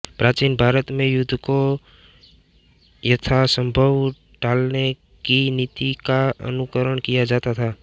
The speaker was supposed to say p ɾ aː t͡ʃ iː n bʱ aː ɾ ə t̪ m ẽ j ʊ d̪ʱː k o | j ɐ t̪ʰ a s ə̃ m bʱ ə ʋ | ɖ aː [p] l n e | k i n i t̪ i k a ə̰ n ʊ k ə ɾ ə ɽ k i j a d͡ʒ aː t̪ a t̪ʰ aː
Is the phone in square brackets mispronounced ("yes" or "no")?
yes